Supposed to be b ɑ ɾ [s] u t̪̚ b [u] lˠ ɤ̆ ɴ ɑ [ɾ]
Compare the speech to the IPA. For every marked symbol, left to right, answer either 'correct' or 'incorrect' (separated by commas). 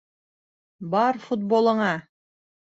incorrect, incorrect, incorrect